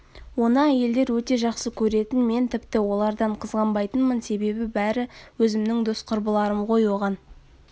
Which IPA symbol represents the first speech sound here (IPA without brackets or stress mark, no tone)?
w